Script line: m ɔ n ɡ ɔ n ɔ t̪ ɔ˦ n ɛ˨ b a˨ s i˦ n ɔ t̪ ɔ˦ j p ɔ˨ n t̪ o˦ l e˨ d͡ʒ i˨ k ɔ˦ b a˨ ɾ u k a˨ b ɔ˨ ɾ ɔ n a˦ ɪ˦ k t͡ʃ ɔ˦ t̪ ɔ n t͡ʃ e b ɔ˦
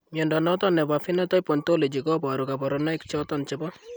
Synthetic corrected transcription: m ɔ n d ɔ n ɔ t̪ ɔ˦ n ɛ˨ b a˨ f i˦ n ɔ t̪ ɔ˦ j p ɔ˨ n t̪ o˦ l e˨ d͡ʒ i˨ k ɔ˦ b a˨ ɾ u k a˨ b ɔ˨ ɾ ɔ n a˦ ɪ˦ k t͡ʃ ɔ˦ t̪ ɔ n t͡ʃ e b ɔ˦